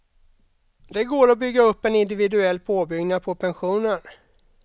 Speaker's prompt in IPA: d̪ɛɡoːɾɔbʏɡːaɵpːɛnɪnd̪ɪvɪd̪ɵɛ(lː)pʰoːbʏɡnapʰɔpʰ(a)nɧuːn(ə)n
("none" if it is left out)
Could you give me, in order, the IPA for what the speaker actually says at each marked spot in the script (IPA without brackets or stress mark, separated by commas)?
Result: lː, ɛ, ə